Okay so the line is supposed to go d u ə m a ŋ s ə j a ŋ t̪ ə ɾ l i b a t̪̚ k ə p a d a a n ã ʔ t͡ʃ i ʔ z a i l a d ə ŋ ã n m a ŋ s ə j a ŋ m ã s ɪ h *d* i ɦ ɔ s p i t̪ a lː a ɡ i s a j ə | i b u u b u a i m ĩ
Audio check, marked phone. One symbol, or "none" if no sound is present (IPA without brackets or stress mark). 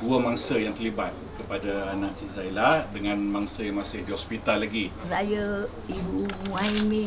d